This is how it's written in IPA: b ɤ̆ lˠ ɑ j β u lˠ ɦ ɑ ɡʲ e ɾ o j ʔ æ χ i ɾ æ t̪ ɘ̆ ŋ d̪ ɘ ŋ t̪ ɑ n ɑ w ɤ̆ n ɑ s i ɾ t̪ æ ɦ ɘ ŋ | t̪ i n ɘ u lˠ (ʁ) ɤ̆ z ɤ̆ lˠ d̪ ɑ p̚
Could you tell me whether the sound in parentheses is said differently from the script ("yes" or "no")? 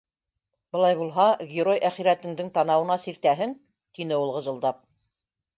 no